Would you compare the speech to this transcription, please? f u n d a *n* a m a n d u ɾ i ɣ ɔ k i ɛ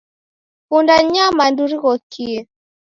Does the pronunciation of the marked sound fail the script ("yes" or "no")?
yes